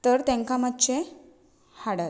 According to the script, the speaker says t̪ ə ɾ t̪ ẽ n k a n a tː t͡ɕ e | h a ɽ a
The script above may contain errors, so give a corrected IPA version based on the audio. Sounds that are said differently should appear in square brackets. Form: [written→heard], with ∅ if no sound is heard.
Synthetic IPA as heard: t̪ ə ɾ t̪ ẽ [n→ŋ] k a [n→m] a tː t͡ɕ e | h a ɽ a